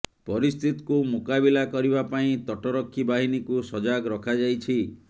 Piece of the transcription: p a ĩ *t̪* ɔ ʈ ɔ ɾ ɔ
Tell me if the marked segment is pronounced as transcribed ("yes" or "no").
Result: yes